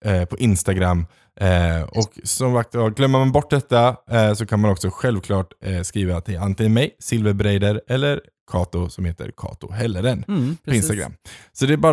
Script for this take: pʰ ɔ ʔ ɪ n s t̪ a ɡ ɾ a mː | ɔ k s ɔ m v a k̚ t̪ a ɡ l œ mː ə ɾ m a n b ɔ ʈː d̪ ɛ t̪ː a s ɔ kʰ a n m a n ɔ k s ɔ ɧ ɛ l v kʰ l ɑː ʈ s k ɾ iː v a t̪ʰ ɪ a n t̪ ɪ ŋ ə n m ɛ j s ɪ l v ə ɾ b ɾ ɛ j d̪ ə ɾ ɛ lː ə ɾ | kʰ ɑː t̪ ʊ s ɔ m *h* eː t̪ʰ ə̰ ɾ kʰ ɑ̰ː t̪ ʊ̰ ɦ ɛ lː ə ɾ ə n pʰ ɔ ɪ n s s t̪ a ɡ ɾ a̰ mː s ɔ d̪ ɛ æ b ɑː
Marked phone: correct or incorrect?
correct